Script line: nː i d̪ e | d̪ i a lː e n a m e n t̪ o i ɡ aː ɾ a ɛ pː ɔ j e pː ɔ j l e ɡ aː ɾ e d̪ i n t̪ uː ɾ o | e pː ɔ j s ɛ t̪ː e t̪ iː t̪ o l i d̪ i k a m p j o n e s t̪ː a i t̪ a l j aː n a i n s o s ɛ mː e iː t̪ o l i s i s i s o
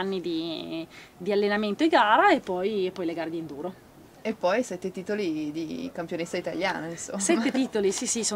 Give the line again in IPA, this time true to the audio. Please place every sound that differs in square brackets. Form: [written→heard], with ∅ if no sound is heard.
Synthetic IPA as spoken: nː i d̪ [e→i] | d̪ i a lː e n a m e n t̪ o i ɡ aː ɾ a [ɛ→e] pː ɔ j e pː ɔ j l e ɡ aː ɾ e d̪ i n [t̪→d̪] uː ɾ o | e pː ɔ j s ɛ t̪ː e t̪ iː t̪ o l i d̪ i k a m p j o n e s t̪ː a i t̪ a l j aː n a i n s o s ɛ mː e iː t̪ o l i s i s i s o